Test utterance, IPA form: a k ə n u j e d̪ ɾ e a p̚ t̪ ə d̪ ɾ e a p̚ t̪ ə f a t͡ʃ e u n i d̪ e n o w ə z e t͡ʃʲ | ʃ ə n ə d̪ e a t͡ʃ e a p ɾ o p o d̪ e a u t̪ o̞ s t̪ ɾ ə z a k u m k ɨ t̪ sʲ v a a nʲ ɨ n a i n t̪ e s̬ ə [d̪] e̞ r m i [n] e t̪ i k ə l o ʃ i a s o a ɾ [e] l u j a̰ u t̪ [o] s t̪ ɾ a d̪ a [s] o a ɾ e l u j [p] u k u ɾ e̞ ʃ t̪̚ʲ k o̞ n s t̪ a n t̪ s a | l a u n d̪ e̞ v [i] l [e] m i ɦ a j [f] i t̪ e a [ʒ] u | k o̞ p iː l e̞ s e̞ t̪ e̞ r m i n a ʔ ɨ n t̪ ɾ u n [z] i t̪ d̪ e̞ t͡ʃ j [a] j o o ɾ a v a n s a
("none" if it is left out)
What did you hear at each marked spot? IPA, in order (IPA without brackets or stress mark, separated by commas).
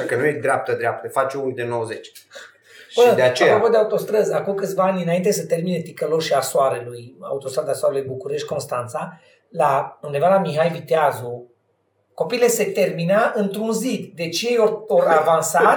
t̪, n, e, o, s, b, a, a, v, z, z, e